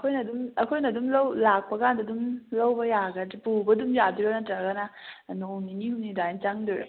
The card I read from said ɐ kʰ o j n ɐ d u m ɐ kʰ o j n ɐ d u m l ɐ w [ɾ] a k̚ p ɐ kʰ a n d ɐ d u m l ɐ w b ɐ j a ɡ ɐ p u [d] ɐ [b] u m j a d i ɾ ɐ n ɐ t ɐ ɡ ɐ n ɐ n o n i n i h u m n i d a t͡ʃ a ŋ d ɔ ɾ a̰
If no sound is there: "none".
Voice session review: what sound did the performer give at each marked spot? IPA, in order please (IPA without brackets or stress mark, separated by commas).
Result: l, b, d